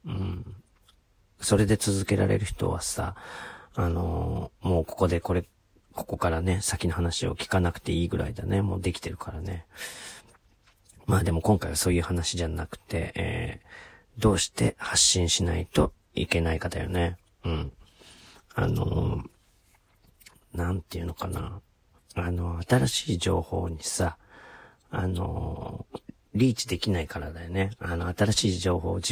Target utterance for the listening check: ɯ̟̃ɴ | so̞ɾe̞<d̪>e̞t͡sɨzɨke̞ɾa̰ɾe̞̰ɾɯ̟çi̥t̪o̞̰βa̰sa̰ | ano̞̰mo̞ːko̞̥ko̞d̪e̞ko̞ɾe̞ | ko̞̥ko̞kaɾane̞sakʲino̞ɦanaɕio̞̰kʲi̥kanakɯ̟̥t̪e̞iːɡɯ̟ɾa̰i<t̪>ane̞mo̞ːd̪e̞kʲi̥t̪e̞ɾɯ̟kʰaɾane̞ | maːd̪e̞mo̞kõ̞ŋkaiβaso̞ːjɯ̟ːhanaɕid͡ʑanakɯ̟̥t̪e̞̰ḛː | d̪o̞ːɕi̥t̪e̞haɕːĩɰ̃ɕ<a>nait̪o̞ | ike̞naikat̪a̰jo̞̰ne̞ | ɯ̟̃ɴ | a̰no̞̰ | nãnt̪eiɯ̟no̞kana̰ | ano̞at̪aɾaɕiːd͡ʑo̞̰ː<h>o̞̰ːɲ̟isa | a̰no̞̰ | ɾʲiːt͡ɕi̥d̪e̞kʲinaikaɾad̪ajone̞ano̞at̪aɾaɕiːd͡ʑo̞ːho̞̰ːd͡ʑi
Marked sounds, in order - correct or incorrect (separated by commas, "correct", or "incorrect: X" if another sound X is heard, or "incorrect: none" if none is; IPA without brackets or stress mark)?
correct, incorrect: d̪, incorrect: i, correct